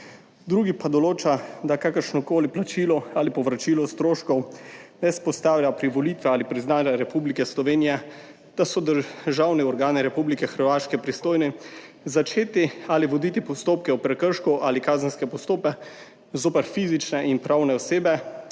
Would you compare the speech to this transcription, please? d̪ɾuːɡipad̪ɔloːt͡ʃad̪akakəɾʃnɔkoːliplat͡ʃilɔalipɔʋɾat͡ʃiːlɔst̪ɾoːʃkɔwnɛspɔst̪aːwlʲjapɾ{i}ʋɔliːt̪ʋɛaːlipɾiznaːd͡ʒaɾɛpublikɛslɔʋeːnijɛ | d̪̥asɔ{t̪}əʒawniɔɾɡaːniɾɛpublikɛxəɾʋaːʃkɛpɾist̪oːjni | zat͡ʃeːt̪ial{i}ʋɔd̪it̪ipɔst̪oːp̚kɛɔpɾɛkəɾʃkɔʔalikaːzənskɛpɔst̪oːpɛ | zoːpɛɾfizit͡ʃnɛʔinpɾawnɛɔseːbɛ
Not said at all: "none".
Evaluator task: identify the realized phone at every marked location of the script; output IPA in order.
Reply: i, d̪, i

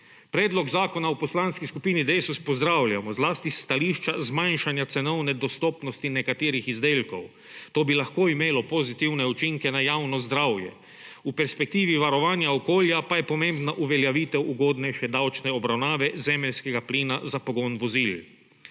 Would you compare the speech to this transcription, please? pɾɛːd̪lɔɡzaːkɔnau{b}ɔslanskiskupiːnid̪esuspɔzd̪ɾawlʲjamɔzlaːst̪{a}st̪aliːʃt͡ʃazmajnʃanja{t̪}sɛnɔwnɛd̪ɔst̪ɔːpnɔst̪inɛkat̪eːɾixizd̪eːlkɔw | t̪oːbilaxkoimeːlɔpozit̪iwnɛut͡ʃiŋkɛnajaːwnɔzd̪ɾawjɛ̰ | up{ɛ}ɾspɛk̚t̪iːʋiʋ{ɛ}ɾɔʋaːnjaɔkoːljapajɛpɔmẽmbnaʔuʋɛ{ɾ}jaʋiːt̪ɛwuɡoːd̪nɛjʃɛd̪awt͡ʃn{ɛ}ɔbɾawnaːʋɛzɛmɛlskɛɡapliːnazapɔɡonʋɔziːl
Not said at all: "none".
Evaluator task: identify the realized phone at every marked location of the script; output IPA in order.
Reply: p, i, t̪, ɛ, a, l, ɛ

